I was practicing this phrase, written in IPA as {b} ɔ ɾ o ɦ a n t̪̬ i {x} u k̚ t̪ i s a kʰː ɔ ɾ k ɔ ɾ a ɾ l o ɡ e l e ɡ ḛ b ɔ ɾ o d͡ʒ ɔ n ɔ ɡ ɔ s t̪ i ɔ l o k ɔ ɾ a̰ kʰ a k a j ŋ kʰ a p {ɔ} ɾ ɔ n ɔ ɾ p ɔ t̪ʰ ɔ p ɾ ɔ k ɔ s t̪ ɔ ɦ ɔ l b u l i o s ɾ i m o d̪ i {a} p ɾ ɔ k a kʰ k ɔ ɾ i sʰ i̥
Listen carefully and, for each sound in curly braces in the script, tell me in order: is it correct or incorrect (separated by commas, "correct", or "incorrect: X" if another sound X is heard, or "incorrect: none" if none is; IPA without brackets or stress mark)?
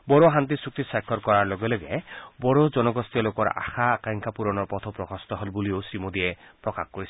correct, incorrect: s, incorrect: u, incorrect: e